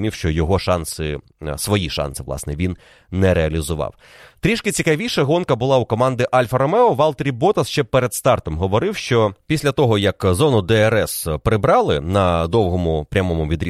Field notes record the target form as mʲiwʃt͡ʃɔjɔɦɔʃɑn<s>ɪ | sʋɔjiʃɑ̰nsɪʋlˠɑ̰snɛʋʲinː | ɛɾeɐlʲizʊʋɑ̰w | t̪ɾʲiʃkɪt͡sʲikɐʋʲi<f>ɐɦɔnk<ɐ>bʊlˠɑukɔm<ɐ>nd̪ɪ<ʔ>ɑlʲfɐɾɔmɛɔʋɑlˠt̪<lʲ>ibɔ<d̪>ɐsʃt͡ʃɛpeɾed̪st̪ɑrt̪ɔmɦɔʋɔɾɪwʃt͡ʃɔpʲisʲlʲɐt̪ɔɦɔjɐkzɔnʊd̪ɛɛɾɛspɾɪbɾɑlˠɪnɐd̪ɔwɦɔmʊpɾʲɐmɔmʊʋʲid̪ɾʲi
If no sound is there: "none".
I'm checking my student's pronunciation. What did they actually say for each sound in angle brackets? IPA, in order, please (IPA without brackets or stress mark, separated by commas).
s, ʃ, ɐ, ɑ, ʔ, ɾʲ, t̪